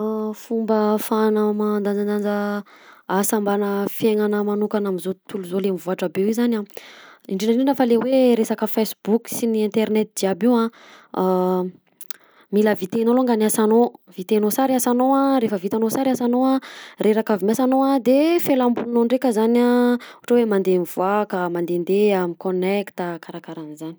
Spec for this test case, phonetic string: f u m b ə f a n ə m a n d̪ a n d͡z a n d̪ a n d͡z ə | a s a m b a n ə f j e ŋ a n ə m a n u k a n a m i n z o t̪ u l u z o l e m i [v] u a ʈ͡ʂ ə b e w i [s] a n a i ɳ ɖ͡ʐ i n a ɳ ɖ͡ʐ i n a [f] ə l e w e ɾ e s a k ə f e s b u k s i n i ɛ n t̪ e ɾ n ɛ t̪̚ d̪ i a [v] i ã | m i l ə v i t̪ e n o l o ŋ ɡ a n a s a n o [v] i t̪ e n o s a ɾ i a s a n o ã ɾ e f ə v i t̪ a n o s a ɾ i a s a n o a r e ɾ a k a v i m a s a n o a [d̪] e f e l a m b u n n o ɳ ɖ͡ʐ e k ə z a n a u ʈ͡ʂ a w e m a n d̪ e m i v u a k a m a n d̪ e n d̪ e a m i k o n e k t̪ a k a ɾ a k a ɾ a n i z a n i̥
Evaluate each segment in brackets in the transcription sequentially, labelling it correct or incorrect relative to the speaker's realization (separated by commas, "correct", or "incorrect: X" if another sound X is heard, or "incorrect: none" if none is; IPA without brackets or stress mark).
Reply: correct, incorrect: z, correct, incorrect: b, correct, correct